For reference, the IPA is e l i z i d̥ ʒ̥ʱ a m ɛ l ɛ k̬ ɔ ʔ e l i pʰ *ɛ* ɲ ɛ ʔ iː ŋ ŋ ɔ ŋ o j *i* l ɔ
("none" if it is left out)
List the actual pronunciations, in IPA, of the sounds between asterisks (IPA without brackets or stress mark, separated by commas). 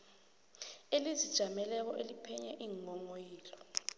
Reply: ɛ, iː